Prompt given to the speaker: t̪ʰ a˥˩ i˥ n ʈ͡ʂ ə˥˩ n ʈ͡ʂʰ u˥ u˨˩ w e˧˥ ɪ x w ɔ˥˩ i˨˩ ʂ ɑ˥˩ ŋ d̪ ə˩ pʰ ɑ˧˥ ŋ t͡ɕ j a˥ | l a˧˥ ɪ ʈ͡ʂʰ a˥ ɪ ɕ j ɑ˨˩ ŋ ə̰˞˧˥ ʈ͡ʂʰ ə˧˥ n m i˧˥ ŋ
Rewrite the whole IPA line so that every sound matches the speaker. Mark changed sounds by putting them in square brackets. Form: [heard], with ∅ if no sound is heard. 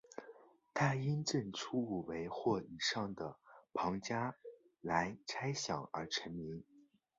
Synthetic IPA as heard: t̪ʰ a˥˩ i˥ n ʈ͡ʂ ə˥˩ n ʈ͡ʂʰ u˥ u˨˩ w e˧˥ ɪ x w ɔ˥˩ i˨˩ ʂ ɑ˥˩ ŋ d̪ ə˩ pʰ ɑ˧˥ ŋ t͡ɕ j a˥ | l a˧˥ ɪ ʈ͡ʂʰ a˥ ɪ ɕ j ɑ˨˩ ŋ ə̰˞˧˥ ʈ͡ʂʰ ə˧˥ n m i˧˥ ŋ